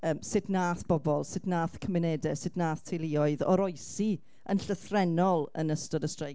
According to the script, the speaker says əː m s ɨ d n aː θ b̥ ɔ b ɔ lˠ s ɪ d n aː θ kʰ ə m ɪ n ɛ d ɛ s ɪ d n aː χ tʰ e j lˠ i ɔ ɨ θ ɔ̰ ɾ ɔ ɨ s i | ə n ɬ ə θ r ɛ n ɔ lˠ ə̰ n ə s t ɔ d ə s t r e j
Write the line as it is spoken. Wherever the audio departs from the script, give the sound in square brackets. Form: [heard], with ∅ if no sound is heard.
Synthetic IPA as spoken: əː m s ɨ d n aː θ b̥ ɔ b ɔ lˠ s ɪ d n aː θ kʰ ə m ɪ n ɛ d ɛ s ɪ d n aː [θ] tʰ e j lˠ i ɔ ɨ [ð] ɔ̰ ɾ ɔ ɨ s i | ə n ɬ ə θ r ɛ n ɔ lˠ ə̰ n ə s t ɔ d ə s t r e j